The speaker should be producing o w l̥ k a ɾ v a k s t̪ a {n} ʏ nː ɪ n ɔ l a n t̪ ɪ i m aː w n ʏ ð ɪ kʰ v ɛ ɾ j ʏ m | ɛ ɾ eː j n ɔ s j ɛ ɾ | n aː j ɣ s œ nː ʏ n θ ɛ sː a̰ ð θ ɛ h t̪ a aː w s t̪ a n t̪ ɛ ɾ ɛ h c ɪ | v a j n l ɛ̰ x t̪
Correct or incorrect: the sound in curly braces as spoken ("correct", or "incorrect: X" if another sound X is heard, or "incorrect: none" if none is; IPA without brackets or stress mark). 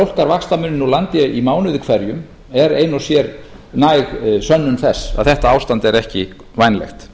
incorrect: m